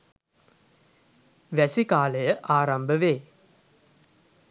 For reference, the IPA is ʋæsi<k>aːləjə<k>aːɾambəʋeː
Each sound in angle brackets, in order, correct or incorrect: correct, incorrect: ʔ

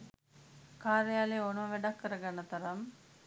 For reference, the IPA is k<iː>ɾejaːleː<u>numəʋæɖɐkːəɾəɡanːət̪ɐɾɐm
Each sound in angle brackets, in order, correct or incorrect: incorrect: aː, incorrect: o

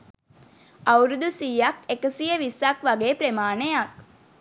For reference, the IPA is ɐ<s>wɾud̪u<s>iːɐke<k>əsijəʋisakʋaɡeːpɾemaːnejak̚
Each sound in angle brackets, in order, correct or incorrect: incorrect: none, correct, correct

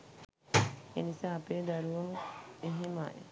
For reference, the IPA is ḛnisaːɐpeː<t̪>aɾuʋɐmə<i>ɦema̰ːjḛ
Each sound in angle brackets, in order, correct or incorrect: incorrect: d̪, incorrect: e

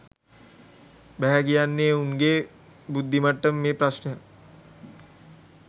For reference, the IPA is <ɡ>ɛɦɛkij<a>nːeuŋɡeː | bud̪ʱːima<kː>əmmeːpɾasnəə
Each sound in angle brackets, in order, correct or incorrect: incorrect: b, correct, incorrect: ʈː

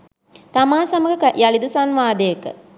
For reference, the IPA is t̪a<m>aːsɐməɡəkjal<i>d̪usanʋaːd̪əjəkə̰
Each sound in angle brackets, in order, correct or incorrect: correct, correct

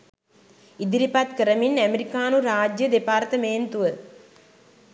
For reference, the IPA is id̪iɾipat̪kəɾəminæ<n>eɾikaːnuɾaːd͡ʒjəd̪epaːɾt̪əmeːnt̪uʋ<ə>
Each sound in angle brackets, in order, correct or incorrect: incorrect: m, correct

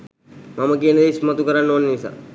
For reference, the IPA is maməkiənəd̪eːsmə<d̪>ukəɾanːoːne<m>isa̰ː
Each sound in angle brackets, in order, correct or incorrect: incorrect: t̪, incorrect: n

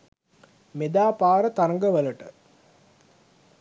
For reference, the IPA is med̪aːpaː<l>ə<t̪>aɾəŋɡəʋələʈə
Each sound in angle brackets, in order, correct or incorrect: incorrect: ɾ, correct

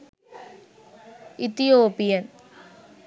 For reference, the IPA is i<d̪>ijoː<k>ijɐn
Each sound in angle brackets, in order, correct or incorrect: incorrect: t̪, incorrect: p

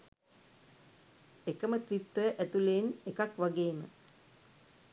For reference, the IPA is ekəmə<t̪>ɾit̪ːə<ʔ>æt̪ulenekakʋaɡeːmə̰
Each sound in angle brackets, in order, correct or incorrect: correct, correct

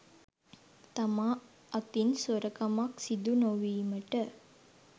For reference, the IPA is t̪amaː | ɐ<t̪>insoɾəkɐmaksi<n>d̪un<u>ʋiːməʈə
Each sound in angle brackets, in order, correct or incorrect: correct, incorrect: none, incorrect: o

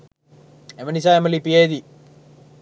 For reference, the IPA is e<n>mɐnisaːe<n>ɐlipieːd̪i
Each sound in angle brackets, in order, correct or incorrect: incorrect: none, incorrect: m

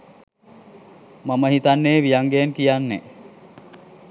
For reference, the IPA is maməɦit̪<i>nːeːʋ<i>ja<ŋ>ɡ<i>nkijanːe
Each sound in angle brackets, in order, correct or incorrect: incorrect: a, correct, correct, incorrect: e

